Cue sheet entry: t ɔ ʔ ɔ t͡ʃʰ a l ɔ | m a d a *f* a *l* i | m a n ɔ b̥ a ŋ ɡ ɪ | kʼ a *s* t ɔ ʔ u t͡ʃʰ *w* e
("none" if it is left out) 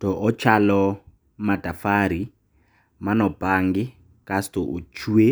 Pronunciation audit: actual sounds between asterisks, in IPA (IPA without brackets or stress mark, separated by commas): f, ɾ, s, u